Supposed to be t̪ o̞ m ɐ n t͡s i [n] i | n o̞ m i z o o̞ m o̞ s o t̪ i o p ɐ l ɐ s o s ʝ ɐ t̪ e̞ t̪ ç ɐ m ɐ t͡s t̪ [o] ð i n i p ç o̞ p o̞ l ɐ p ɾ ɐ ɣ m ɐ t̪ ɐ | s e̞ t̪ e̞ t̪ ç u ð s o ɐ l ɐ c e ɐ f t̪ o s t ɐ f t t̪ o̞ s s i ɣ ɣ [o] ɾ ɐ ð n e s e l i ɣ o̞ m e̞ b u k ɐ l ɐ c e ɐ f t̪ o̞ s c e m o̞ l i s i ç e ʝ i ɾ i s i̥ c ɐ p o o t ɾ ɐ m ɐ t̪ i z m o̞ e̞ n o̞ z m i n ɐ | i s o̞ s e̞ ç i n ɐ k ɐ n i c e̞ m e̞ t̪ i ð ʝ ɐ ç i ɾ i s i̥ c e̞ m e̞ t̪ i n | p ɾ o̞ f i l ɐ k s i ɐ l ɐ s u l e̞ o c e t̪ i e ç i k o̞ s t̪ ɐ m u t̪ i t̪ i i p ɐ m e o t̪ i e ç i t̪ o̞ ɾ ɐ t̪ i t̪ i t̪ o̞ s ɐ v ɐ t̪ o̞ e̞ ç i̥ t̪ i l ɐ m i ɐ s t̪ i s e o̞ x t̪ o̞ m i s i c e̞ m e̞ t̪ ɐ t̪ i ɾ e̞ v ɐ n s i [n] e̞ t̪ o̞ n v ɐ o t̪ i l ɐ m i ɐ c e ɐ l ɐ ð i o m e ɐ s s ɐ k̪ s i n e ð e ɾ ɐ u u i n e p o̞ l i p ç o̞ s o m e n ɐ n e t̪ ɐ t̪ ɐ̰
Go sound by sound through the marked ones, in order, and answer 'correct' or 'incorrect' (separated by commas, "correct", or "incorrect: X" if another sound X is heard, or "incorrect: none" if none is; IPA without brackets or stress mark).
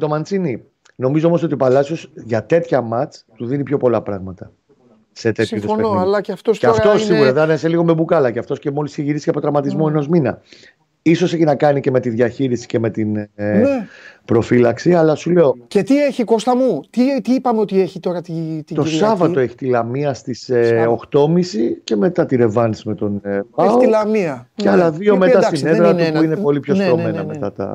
correct, incorrect: u, incorrect: u, incorrect: m